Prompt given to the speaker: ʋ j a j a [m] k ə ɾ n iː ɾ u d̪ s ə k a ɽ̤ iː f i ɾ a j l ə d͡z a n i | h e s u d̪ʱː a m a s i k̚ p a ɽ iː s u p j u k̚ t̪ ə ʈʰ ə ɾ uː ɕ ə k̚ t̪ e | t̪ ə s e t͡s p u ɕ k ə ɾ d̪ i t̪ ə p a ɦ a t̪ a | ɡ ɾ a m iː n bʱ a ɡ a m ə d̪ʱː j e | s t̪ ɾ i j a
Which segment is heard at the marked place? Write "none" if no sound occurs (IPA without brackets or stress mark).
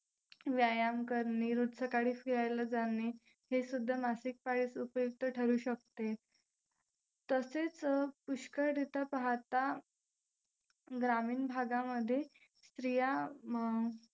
m